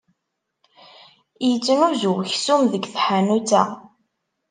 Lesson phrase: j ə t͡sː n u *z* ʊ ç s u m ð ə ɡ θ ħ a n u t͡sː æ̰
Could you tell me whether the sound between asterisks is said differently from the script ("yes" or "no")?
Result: no